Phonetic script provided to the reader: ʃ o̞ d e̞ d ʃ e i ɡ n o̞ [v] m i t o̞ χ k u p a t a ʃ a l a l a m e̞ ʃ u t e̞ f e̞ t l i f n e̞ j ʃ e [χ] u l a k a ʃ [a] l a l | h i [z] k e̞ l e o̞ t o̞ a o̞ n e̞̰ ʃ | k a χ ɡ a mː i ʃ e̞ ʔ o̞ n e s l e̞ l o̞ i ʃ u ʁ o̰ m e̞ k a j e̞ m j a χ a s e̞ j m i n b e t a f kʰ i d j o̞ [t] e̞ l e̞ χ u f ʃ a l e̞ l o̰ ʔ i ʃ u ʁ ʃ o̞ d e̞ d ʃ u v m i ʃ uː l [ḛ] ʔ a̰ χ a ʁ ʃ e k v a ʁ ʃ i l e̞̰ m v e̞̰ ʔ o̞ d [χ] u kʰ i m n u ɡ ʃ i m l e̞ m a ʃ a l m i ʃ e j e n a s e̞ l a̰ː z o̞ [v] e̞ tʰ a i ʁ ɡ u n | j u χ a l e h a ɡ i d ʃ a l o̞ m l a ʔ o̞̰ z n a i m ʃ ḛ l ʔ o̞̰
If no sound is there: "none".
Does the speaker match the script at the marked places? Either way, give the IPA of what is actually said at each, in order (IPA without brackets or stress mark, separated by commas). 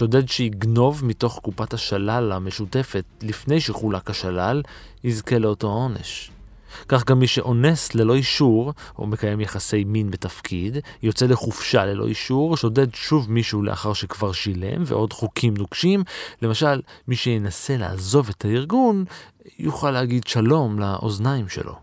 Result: v, χ, a, z, t͡s, ḛ, χ, v